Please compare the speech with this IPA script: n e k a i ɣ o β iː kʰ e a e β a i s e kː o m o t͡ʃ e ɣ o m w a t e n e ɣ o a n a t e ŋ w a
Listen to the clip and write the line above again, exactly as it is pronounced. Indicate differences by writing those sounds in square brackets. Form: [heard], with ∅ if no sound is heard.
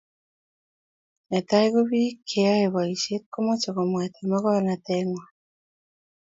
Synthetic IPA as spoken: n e [t] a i ɣ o β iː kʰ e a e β a i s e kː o m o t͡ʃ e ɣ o m w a t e [m] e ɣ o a n a t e ŋ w a